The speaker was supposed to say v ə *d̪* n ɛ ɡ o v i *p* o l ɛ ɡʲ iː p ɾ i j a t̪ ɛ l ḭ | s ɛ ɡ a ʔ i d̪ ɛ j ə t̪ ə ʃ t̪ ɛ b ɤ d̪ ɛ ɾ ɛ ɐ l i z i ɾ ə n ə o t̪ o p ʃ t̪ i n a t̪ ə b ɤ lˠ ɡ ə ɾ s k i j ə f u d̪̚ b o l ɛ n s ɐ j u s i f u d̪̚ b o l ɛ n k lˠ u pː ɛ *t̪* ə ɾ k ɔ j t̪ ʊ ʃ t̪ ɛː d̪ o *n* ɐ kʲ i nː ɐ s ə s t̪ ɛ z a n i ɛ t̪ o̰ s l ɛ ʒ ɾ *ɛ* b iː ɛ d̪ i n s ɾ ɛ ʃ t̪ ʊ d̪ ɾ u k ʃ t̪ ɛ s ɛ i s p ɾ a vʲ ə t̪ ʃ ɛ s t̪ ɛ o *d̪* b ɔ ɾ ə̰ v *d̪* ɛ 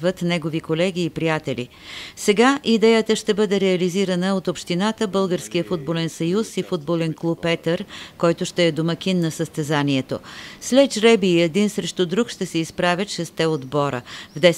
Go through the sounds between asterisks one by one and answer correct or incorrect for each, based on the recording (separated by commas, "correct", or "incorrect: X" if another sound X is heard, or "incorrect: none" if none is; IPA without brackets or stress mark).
incorrect: t̪, incorrect: k, correct, incorrect: m, correct, correct, correct